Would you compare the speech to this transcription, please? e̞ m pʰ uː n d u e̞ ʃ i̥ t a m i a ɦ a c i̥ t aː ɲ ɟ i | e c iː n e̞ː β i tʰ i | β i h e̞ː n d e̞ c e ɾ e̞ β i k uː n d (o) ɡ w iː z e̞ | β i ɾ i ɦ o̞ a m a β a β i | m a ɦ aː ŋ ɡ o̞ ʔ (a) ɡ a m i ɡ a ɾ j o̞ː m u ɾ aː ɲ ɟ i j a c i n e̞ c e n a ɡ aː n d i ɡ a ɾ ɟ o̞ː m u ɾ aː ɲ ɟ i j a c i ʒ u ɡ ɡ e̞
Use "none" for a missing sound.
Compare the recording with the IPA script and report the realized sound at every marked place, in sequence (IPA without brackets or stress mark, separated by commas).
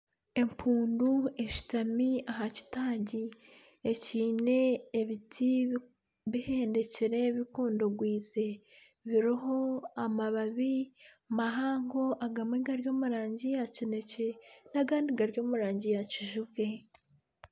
o, a